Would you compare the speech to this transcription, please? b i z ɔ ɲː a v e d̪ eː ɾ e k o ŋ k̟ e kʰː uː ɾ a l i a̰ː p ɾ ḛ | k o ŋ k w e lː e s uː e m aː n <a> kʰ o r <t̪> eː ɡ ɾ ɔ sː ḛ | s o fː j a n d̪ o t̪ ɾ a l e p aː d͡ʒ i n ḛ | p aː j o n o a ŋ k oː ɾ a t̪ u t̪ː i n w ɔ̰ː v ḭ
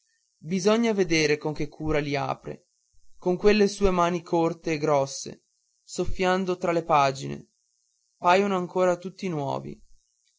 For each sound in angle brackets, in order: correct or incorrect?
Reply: incorrect: i, correct

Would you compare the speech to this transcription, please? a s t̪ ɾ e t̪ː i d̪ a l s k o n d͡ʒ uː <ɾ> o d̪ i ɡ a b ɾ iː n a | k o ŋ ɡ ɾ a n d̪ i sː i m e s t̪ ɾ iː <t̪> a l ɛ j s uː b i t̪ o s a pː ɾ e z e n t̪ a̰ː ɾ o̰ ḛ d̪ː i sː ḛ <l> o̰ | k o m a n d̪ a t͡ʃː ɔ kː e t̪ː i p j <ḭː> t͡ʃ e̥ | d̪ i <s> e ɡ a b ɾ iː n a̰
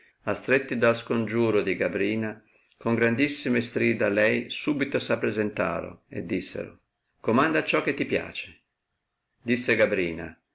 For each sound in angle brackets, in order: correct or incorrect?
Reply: correct, incorrect: d̪, incorrect: ɾ, incorrect: a̰ː, incorrect: sː

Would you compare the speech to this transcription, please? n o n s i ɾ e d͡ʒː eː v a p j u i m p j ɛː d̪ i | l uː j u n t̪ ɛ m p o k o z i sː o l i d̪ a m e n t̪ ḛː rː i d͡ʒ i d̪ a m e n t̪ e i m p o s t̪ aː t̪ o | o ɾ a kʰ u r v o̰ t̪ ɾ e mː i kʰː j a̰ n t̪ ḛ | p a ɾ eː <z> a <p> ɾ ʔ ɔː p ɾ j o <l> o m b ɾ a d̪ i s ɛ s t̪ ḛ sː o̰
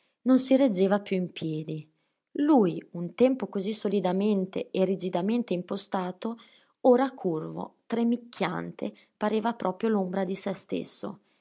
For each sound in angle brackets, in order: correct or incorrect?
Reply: incorrect: v, correct, correct

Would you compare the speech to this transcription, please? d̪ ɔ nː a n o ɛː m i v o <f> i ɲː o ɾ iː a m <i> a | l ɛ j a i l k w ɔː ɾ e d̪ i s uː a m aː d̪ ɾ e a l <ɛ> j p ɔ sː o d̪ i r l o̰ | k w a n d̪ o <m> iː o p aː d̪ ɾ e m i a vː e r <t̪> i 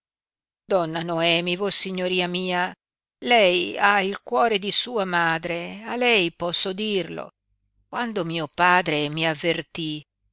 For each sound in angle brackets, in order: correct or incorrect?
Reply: incorrect: s, incorrect: iː, correct, correct, correct

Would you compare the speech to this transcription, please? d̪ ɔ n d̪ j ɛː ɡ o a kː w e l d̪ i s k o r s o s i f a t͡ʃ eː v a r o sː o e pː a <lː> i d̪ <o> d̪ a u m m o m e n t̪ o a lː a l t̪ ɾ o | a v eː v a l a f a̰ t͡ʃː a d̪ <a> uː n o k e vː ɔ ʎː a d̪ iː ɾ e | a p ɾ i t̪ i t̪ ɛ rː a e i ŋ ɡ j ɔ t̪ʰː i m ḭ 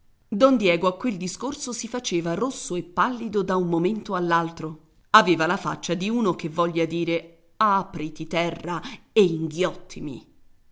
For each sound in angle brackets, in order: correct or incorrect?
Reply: correct, correct, incorrect: i

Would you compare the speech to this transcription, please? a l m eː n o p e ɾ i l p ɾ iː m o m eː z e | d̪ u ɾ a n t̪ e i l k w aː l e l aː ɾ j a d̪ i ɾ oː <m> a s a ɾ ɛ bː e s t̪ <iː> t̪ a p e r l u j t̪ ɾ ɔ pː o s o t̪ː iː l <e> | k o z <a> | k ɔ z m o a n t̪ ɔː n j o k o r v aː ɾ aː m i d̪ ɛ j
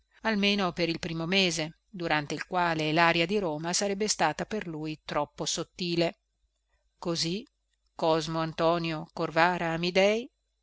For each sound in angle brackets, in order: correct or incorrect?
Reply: correct, incorrect: aː, correct, incorrect: i

